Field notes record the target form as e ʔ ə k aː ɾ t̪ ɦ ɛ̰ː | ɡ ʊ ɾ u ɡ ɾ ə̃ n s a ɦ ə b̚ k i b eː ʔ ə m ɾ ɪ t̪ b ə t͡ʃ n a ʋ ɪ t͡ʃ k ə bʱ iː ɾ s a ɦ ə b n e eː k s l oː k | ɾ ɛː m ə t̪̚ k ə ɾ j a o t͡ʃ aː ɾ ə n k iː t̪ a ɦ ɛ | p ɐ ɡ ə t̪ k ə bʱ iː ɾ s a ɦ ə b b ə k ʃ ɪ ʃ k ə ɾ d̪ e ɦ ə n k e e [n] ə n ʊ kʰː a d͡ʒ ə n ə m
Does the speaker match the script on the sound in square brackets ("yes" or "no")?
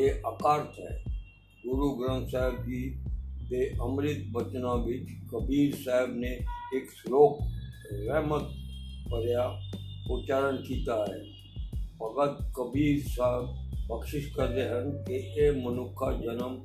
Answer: no